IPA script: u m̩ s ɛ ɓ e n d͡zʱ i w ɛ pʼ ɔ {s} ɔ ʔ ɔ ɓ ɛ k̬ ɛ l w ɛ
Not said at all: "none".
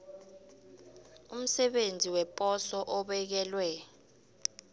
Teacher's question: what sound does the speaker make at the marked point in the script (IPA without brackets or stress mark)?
s